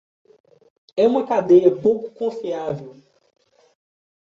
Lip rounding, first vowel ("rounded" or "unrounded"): unrounded